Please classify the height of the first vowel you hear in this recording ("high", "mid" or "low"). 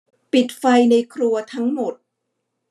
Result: high